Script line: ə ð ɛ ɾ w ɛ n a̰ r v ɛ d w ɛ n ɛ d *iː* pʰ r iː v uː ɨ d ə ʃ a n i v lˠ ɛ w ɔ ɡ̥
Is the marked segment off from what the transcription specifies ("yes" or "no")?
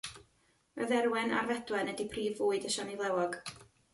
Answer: yes